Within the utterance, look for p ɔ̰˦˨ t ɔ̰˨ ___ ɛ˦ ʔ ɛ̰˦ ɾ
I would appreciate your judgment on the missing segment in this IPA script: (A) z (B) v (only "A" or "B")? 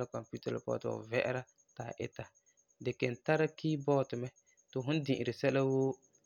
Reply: B